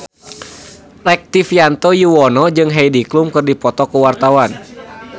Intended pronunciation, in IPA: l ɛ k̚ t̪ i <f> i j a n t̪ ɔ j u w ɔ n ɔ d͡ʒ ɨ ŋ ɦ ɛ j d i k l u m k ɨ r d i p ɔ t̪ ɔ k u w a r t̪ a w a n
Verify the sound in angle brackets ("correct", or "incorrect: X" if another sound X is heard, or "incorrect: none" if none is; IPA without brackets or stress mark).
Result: correct